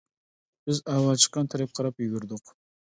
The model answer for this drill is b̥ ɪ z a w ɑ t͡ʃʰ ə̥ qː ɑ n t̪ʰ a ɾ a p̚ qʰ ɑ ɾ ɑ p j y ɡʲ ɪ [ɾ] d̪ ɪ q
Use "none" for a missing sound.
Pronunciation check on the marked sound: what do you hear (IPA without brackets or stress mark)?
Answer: ɾ